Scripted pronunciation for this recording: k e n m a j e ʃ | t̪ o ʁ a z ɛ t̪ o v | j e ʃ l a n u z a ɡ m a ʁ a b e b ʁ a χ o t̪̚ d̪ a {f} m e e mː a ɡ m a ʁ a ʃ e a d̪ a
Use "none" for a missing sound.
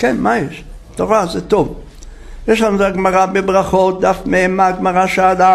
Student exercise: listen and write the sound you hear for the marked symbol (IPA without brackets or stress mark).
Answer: f